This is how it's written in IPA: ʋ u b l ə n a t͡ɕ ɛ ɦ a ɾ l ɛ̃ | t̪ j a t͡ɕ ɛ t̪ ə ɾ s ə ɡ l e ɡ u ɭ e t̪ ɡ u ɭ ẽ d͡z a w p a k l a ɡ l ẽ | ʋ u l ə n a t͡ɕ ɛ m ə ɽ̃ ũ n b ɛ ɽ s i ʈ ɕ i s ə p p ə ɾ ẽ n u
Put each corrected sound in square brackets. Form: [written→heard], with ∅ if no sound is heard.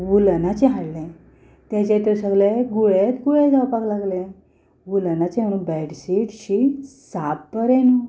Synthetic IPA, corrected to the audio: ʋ u [b→∅] l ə n a t͡ɕ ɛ ɦ a [ɾ→ɽ] l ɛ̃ | t̪ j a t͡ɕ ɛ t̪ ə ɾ s ə ɡ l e ɡ u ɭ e t̪ ɡ u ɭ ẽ d͡z a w p a k l a ɡ l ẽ | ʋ u l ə n a t͡ɕ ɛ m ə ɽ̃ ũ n b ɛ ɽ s i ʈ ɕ i s [ə→a] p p ə ɾ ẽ n u